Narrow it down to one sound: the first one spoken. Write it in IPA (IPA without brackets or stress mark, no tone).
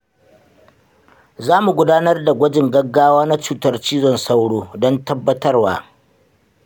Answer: z